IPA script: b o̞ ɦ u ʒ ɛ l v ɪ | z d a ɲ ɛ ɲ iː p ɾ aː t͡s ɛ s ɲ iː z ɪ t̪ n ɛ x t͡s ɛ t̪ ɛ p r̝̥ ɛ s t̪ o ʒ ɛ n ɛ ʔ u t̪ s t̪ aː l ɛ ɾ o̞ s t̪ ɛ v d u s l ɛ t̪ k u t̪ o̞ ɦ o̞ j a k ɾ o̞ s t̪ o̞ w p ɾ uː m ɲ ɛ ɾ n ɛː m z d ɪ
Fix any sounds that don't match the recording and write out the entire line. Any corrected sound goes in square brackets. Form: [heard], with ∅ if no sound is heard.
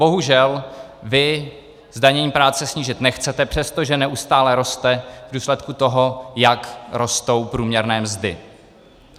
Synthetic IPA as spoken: b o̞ ɦ u ʒ ɛ l v ɪ | z d a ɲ ɛ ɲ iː p ɾ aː t͡s ɛ s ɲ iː [ʒ] ɪ t̪ n ɛ x t͡s ɛ t̪ ɛ p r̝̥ ɛ s t̪ o ʒ ɛ n ɛ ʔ u [∅] s t̪ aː l ɛ ɾ o̞ s t̪ ɛ v d [uː] s l ɛ t̪ k u t̪ o̞ ɦ o̞ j a k ɾ o̞ s t̪ o̞ w p ɾ uː m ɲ ɛ ɾ n ɛː m z d ɪ